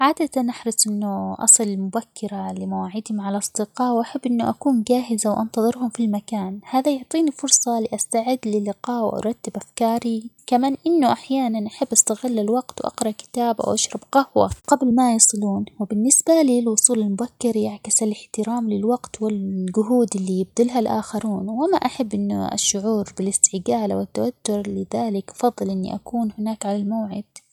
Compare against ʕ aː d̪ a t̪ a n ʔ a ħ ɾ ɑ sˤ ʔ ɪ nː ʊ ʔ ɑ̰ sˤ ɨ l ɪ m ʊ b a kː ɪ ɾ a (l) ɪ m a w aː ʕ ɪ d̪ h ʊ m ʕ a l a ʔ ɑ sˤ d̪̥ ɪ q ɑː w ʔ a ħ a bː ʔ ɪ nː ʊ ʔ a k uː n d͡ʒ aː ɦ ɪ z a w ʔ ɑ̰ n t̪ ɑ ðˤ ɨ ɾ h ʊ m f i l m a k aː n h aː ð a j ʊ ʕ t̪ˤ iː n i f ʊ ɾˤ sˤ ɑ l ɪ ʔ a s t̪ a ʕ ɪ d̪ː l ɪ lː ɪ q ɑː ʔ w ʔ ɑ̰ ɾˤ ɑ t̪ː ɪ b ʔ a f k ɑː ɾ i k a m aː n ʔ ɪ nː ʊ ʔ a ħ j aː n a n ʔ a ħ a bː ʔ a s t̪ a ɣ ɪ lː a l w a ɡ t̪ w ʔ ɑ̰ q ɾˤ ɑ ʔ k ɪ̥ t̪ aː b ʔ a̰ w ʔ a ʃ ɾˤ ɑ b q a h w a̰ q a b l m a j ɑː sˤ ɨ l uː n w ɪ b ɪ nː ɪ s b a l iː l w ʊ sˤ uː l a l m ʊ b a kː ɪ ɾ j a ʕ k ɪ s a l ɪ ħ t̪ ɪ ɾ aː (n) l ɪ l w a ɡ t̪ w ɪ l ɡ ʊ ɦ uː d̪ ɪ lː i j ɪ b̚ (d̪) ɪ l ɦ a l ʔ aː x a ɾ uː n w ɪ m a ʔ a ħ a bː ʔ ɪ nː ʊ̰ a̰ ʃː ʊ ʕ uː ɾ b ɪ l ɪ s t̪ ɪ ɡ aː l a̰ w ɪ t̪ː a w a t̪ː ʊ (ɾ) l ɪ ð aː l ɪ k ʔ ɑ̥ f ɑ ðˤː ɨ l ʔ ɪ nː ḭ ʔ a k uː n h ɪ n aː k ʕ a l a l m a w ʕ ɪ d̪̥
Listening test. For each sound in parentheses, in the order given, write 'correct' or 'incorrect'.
correct, incorrect: m, correct, correct

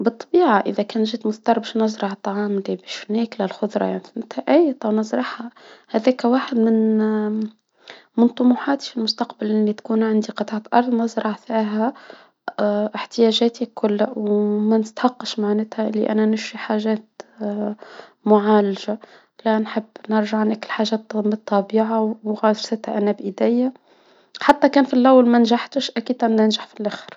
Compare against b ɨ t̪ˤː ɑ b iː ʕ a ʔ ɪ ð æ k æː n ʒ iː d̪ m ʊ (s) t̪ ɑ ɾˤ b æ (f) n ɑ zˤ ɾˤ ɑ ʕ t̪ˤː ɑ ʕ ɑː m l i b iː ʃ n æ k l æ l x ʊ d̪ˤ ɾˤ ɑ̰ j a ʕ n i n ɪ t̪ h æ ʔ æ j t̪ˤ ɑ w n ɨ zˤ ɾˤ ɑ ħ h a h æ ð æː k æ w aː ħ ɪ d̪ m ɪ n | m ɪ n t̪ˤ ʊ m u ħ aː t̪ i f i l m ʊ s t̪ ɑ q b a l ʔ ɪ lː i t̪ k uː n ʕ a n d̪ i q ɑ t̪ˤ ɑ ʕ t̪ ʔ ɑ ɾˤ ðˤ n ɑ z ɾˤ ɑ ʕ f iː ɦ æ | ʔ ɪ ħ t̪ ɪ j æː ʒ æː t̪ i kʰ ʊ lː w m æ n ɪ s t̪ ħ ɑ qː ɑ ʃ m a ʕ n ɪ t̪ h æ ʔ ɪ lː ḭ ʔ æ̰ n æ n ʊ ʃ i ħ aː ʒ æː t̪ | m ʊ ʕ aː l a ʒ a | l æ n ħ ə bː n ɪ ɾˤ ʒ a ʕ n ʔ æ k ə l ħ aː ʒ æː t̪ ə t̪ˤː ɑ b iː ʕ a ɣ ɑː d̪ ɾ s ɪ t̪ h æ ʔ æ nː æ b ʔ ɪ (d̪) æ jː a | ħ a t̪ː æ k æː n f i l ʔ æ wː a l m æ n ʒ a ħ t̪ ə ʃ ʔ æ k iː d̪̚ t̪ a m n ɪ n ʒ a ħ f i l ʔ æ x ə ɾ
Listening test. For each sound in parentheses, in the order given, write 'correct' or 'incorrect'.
incorrect: θ, incorrect: ʃ, correct

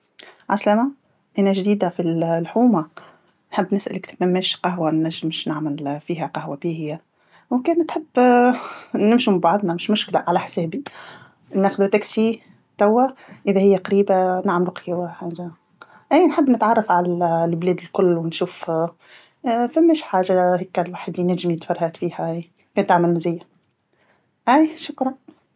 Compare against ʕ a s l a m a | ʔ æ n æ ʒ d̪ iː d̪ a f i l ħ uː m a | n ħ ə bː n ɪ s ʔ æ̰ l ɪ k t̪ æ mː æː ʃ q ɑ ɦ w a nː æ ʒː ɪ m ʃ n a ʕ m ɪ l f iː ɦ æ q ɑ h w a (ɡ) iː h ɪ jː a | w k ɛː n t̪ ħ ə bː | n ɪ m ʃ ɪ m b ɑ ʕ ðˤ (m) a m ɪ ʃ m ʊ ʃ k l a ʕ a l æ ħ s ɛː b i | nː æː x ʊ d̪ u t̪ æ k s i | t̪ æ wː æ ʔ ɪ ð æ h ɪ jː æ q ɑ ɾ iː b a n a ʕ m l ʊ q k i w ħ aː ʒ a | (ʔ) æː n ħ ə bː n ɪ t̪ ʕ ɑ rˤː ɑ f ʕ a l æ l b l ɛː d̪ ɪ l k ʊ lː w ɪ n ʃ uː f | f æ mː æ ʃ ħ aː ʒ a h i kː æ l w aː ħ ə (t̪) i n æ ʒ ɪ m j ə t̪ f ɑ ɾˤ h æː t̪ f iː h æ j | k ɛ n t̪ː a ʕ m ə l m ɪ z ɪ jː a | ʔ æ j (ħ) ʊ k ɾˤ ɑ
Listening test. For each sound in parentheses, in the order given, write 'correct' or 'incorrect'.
incorrect: b, incorrect: n, correct, incorrect: d̪, incorrect: ʃ

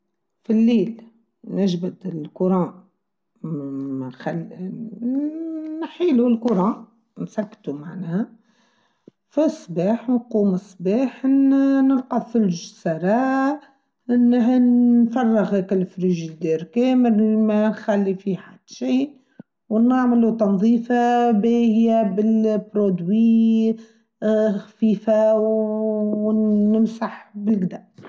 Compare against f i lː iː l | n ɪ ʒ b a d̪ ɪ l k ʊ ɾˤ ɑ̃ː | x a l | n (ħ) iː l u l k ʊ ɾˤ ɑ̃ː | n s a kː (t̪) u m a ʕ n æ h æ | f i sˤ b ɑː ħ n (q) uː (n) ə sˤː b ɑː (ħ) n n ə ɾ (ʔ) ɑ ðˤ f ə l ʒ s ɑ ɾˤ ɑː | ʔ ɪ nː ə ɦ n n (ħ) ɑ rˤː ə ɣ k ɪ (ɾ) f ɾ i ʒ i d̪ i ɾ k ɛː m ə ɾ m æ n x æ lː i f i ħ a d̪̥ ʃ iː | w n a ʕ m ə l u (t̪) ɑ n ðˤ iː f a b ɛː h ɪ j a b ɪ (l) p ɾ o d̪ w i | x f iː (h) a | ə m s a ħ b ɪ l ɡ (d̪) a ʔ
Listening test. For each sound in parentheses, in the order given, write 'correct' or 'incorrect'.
correct, correct, correct, incorrect: m, correct, incorrect: q, incorrect: f, incorrect: l, correct, correct, incorrect: f, correct

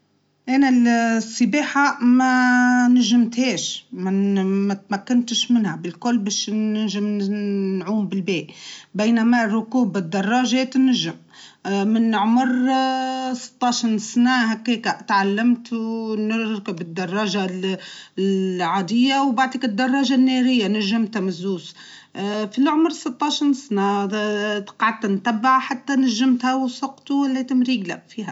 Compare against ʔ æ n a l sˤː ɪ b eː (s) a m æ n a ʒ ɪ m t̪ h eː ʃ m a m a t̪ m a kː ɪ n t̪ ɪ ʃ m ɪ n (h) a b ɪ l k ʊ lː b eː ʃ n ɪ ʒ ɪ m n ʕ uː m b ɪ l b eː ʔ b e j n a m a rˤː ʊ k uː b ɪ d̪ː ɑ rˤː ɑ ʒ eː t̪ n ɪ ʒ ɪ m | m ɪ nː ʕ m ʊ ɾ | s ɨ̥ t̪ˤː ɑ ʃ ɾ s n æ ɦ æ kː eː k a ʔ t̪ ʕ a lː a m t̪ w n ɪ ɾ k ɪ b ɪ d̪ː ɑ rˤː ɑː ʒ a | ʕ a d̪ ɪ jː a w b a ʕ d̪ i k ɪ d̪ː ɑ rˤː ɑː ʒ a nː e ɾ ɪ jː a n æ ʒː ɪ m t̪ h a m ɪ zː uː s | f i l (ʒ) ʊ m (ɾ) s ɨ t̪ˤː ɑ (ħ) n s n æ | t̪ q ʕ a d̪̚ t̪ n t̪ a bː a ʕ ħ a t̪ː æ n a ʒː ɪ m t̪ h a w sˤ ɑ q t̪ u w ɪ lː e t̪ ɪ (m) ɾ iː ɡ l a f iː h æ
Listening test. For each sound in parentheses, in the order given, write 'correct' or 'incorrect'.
incorrect: ħ, correct, incorrect: ʕ, correct, incorrect: ʃ, correct

